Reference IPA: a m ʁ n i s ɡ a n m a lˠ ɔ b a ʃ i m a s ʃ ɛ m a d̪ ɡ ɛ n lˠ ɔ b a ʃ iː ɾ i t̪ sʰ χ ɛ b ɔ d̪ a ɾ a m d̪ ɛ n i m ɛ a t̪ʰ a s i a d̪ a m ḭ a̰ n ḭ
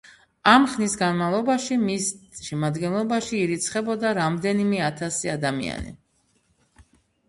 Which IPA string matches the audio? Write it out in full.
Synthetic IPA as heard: a m χ n i s ɡ a n m a lˠ ɔ b a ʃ i m i s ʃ ɛ m a d̪ ɡ ɛ n lˠ ɔ b a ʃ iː ɾ i t̪ sʰ χ ɛ b ɔ d̪ a ɾ a m d̪ ɛ n i m ɛ a t̪ʰ a s i a d̪ a m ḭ a̰ n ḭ

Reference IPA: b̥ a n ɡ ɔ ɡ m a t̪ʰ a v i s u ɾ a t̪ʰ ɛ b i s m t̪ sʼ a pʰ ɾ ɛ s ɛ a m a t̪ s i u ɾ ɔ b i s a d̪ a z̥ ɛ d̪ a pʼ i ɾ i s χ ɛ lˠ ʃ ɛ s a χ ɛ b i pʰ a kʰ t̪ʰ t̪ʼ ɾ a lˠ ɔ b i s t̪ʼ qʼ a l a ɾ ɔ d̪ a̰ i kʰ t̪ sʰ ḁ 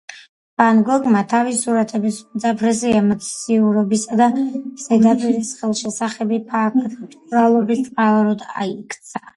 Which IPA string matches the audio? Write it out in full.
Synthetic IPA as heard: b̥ a n ɡ ɔ ɡ m a t̪ʰ a v i s u ɾ a t̪ʰ ɛ b i s m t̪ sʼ a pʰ ɾ ɛ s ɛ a m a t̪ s i u ɾ ɔ b i s a d̪ a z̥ ɛ d̪ a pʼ i ɾ i s χ ɛ lˠ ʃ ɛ s a χ ɛ b i pʰ a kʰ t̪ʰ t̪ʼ ɾ a lˠ ɔ b i s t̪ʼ qʼ a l a ɾ ɔ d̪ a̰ i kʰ t̪ sʰ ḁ

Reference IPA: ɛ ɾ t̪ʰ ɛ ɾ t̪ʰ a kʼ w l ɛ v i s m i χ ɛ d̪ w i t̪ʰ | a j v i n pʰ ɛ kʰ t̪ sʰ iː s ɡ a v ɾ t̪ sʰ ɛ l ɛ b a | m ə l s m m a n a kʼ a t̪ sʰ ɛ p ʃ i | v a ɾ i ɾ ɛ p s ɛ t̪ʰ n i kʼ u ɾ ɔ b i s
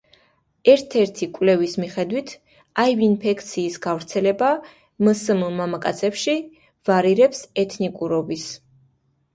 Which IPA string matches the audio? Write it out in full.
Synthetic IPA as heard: ɛ ɾ t̪ʰ ɛ ɾ t̪ʰ i kʼ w l ɛ v i s m i χ ɛ d̪ w i t̪ʰ | a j v i n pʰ ɛ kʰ t̪ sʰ iː s ɡ a v ɾ t̪ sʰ ɛ l ɛ b a | m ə s m m a m a kʼ a t̪ sʰ ɛ p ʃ i | v a ɾ i ɾ ɛ p s ɛ t̪ʰ n i kʼ u ɾ ɔ b i s

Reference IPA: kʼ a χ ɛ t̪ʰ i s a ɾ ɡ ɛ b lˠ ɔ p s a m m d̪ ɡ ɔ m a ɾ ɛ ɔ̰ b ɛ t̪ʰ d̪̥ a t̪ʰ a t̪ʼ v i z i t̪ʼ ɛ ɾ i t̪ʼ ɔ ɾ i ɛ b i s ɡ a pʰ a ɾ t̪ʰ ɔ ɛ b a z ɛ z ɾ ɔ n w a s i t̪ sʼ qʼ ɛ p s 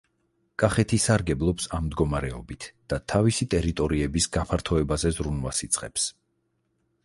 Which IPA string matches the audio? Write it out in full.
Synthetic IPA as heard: kʼ a χ ɛ t̪ʰ i s a ɾ ɡ ɛ b lˠ ɔ p s a m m d̪ ɡ ɔ m a ɾ ɛ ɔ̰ b i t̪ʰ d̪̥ a t̪ʰ a v i s i t̪ʼ ɛ ɾ i t̪ʼ ɔ ɾ i ɛ b i s ɡ a pʰ a ɾ t̪ʰ ɔ ɛ b a z ɛ z ɾ u n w a s i t̪ sʼ qʼ ɛ p s

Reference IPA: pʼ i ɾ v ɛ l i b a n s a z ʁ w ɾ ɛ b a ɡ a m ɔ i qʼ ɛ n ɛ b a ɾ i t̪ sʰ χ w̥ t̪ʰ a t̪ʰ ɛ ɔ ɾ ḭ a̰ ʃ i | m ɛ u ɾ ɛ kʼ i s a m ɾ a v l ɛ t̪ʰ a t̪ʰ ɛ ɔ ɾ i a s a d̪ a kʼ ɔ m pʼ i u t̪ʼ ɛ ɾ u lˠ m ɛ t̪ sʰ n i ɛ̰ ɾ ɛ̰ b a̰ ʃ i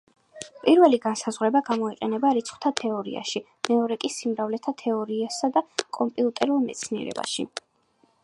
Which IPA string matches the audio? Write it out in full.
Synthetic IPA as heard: pʼ i ɾ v ɛ l i ɡ a n s a z ʁ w ɾ ɛ b a ɡ a m ɔ i qʼ ɛ n ɛ b a ɾ i t̪ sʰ χ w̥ t̪ʰ a t̪ʰ ɛ ɔ ɾ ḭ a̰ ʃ i | m ɛ ɔ ɾ ɛ kʼ i s i m ɾ a v l ɛ t̪ʰ a t̪ʰ ɛ ɔ ɾ i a s a d̪ a kʼ ɔ m pʼ i u t̪ʼ ɛ ɾ u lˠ m ɛ t̪ sʰ n i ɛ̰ ɾ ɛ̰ b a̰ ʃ i

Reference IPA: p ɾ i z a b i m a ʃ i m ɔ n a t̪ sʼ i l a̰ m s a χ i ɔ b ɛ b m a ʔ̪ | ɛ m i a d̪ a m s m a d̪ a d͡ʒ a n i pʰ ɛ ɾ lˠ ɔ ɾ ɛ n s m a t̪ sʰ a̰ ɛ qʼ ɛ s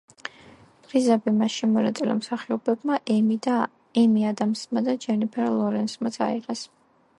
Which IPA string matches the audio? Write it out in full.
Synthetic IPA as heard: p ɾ i z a b i m a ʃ i m ɔ n a t̪ sʼ i l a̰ m s a χ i ɔ b ɛ b m a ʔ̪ | ɛ m i a d̪ a m s m a d̪ a d͡ʒ ɛ n i pʰ ɛ ɾ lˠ ɔ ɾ ɛ n s m a t̪ sʰ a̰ i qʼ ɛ s

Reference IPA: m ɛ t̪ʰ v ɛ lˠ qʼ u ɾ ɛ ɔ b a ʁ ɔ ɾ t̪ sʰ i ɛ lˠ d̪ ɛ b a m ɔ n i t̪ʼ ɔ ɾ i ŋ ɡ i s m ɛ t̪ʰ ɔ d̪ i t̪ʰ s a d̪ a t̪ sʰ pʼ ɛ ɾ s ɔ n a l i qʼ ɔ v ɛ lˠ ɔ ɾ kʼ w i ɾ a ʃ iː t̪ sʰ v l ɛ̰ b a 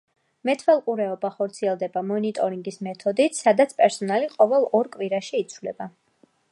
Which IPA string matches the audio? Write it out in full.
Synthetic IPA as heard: m ɛ t̪ʰ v ɛ lˠ qʼ u ɾ ɛ ɔ b a χ ɔ ɾ t̪ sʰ i ɛ lˠ d̪ ɛ b a m ɔ n i t̪ʼ ɔ ɾ i ŋ ɡ i s m ɛ t̪ʰ ɔ d̪ i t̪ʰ s a d̪ a t̪ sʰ pʼ ɛ ɾ s ɔ n a l i qʼ ɔ v ɛ lˠ ɔ ɾ kʼ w i ɾ a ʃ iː t̪ sʰ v l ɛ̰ b a

